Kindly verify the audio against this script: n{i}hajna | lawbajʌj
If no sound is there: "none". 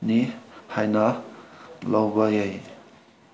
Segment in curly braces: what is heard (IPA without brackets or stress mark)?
i